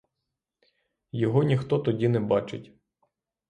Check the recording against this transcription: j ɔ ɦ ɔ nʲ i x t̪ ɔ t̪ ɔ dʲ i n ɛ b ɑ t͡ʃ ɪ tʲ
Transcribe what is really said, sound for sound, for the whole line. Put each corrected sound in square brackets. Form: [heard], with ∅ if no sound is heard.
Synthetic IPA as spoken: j ɔ ɦ ɔ nʲ i x t̪ ɔ t̪ ɔ dʲ i n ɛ b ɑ t͡ʃ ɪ tʲ